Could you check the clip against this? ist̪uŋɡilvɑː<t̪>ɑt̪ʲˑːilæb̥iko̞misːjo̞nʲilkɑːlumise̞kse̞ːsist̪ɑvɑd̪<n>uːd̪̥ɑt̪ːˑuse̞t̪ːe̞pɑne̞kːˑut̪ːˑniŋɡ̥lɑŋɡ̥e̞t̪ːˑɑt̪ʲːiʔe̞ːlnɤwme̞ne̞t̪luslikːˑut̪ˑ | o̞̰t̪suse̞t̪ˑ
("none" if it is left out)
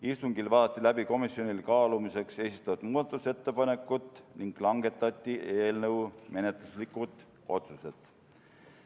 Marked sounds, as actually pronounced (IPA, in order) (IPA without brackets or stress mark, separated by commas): d̪, m